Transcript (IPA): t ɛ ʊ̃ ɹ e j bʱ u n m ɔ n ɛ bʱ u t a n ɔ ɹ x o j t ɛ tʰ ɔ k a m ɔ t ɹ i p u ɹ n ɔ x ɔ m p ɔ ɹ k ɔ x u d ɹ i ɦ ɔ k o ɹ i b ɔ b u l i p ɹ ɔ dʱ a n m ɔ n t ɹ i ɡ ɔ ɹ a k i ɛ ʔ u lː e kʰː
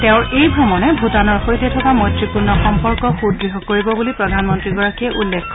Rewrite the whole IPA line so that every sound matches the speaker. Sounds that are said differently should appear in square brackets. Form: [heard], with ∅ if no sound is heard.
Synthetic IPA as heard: t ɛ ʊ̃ ɹ e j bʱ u [∅] m ɔ n ɛ bʱ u t a n ɔ ɹ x o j t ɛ tʰ ɔ k a m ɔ t ɹ i p u ɹ n ɔ x ɔ m p ɔ ɹ k ɔ x u d ɹ i ɦ ɔ k o ɹ i b ɔ b u l i p ɹ ɔ dʱ a n m ɔ n t ɹ i ɡ ɔ ɹ a k i ɛ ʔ u lː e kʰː